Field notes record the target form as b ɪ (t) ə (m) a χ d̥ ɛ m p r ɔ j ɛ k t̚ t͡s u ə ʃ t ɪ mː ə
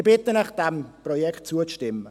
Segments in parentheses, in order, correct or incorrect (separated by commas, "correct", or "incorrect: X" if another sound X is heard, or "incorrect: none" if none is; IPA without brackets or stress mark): correct, incorrect: n